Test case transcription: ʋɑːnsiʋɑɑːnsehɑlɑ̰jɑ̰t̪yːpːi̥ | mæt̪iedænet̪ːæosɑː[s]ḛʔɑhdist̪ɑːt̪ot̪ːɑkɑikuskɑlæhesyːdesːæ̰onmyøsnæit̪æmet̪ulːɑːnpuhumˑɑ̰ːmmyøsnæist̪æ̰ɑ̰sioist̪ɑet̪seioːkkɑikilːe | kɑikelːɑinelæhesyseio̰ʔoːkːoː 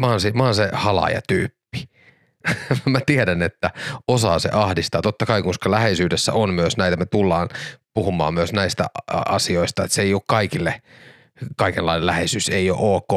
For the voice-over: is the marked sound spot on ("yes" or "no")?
yes